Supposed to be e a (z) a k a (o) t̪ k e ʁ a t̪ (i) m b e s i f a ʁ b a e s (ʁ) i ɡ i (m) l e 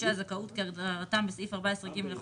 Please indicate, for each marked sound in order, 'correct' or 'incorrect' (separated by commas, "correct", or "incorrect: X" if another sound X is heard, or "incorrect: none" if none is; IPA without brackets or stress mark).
correct, incorrect: u, incorrect: a, correct, correct